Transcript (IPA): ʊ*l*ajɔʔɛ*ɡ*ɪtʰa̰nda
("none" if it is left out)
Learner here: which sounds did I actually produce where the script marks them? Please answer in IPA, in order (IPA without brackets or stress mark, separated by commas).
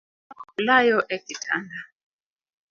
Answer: l, k